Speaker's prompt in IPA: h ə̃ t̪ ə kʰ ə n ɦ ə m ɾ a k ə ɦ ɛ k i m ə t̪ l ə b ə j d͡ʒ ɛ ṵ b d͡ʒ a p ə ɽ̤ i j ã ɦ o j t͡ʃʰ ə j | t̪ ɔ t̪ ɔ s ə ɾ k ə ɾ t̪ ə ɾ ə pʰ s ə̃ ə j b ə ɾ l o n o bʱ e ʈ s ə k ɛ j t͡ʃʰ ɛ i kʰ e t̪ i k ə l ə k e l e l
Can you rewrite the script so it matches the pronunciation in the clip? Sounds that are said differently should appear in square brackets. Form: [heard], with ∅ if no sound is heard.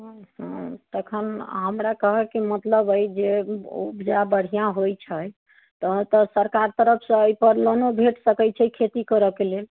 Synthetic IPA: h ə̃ t̪ ə kʰ ə n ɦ ə m ɾ a k ə ɦ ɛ k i m ə t̪ l ə b ə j d͡ʒ [e] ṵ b d͡ʒ a [b] ə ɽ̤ i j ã ɦ o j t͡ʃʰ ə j | t̪ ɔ t̪ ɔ s ə ɾ k [a] ɾ t̪ ə ɾ ə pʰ s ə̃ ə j [p] ə ɾ l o n o bʱ e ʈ s ə k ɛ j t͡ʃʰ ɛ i kʰ e t̪ i k ə [ɾ] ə k e l e l